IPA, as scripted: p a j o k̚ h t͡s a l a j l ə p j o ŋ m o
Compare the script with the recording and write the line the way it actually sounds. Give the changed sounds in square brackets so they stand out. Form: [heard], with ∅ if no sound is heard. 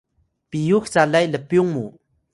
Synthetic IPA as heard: p [i] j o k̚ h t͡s a l a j l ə p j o ŋ m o